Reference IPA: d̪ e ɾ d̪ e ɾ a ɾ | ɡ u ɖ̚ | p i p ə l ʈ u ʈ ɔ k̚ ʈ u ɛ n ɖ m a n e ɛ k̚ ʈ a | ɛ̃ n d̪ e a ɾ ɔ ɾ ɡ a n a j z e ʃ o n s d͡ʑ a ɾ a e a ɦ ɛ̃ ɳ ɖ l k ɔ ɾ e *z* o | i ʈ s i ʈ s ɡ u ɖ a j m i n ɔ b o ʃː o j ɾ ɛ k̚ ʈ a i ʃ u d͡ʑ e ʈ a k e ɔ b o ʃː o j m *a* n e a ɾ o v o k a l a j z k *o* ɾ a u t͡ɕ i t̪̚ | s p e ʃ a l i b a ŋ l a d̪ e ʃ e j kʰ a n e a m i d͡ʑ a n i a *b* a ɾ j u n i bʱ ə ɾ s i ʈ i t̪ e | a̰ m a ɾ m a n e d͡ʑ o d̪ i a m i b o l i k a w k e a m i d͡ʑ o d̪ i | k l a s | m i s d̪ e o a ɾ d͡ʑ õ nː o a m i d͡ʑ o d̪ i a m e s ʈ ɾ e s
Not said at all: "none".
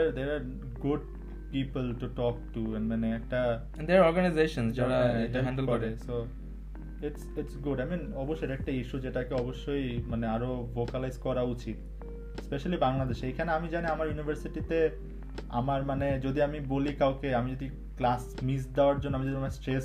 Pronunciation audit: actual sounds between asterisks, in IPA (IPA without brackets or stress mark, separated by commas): s, a, ɔ, m